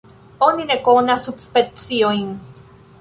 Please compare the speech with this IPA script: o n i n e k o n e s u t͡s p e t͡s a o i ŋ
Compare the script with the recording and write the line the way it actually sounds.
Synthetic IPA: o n i n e k o n a s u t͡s p e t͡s i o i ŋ